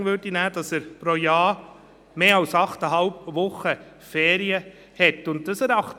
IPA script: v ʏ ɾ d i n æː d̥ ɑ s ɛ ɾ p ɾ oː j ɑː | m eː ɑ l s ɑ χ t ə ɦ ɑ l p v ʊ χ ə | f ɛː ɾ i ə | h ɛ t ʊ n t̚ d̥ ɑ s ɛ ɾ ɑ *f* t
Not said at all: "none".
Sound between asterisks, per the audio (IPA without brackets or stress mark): χ